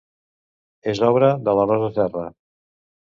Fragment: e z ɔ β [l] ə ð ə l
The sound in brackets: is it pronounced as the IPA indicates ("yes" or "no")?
no